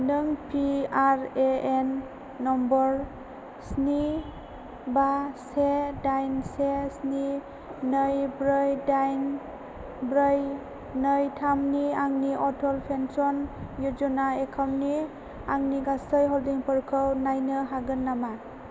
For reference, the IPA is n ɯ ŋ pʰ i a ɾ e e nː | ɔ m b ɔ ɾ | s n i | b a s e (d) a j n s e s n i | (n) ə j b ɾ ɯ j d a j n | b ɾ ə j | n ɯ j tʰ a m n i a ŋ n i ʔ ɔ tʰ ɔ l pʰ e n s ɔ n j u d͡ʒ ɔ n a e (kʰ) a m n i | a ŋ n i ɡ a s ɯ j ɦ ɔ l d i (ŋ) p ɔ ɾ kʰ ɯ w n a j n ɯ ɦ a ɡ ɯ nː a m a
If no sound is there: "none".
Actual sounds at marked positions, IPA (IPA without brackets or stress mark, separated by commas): d, n, kʰ, ŋ